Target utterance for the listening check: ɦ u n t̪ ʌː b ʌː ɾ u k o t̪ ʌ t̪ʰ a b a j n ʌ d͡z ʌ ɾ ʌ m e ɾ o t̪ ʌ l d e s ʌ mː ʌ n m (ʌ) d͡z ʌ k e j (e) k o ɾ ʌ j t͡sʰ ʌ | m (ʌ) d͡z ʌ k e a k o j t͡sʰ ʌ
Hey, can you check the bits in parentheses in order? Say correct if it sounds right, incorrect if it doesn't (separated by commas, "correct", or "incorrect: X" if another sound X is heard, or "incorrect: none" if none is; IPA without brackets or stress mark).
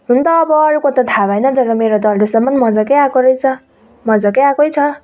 correct, incorrect: a, correct